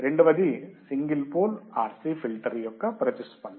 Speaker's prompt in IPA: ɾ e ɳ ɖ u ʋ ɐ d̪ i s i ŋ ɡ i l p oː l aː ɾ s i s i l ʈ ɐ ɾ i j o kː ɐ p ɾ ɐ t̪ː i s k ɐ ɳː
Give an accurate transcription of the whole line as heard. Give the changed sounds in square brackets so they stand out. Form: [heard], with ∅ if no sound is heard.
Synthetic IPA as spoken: ɾ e ɳ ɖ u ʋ ɐ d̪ i s i ŋ ɡ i l p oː l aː ɾ s i [f] i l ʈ ɐ ɾ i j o kː ɐ p ɾ ɐ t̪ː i s [p] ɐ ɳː